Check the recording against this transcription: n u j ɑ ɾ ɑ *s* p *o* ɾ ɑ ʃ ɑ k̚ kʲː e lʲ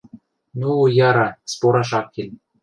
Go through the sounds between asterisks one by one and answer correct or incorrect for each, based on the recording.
correct, correct

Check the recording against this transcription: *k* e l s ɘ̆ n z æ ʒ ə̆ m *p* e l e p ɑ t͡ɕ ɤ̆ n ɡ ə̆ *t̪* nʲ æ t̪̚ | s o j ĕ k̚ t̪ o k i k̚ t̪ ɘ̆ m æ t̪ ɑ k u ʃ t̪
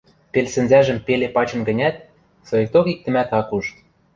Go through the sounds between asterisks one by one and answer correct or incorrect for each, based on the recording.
incorrect: p, correct, incorrect: none

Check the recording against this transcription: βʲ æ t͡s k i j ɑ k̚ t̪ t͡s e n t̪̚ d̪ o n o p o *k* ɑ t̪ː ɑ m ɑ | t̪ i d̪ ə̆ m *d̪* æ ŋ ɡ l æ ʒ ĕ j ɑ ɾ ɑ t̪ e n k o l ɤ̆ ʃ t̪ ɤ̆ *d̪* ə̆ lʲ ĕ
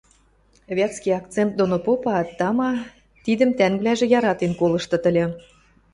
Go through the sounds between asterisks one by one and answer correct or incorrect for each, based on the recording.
incorrect: p, incorrect: t̪, incorrect: t̪

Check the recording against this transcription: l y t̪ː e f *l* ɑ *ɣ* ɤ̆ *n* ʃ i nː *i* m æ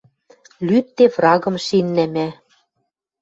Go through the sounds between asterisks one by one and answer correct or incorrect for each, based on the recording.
incorrect: r, correct, incorrect: m, incorrect: æ

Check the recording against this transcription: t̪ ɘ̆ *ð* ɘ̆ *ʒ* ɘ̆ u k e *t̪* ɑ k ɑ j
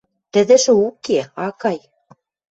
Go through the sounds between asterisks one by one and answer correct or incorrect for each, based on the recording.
correct, incorrect: ʃ, incorrect: none

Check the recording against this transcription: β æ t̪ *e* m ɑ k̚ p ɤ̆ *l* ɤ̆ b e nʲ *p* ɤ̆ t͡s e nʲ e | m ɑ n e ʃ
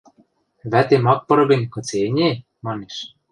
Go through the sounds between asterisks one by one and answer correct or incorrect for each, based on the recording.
correct, incorrect: ɾ, incorrect: k

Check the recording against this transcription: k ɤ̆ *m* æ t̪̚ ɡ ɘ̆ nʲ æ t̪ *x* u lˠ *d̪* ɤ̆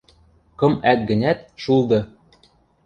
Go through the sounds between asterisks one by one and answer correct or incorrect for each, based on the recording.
correct, incorrect: ʃ, correct

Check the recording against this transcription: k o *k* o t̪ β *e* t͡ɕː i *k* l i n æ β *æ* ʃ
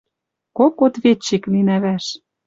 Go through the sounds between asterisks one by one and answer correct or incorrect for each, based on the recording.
correct, correct, correct, correct

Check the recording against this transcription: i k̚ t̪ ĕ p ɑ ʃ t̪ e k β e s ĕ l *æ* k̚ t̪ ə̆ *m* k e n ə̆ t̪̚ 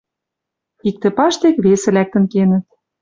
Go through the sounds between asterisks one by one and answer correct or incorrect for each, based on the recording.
correct, incorrect: n

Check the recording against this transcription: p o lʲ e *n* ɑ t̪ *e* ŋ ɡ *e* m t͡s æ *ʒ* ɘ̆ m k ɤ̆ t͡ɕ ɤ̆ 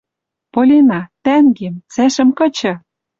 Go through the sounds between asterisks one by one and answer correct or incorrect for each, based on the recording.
correct, incorrect: æ, correct, incorrect: ʃ

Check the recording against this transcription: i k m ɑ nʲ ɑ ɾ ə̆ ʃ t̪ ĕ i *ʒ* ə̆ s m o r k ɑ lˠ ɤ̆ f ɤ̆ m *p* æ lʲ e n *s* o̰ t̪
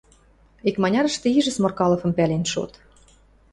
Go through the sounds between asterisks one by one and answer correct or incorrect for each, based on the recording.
correct, correct, incorrect: ʃ

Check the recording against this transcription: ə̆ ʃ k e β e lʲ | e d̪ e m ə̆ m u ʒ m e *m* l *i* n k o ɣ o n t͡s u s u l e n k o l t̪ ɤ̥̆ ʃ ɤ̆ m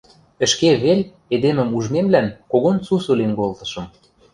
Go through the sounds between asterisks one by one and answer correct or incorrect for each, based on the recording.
correct, incorrect: æ

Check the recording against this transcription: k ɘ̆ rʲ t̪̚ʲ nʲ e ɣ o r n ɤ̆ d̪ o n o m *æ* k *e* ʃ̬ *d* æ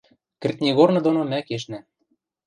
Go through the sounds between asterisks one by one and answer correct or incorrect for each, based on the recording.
correct, correct, incorrect: n

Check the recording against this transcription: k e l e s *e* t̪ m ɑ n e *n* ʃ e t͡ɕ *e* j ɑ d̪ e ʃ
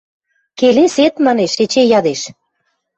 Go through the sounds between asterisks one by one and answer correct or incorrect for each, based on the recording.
correct, incorrect: none, correct

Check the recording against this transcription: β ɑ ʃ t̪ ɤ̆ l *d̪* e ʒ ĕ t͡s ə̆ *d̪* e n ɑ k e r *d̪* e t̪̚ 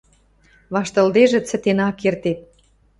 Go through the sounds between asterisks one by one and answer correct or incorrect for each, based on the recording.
correct, incorrect: t̪, incorrect: t̪

